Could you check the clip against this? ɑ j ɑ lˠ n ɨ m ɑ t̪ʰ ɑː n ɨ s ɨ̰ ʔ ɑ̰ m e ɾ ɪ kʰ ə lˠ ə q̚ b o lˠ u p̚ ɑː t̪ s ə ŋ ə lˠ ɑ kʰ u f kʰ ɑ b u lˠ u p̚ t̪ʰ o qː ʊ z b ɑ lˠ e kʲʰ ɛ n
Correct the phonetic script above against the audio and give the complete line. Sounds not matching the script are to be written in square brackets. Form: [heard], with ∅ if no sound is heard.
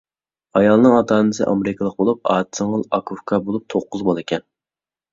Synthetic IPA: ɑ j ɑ lˠ n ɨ [ŋ] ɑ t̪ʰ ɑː n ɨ s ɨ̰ ʔ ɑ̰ m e ɾ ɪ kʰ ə lˠ ə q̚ b o lˠ u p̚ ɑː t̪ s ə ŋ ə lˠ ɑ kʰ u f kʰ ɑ b [o] lˠ u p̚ t̪ʰ o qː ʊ z b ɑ lˠ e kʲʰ ɛ n